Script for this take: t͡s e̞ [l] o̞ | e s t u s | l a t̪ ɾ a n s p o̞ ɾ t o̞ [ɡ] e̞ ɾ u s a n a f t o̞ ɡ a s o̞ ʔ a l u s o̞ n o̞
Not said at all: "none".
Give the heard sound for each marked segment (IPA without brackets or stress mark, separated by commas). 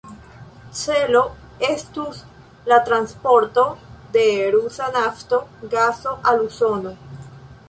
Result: l, d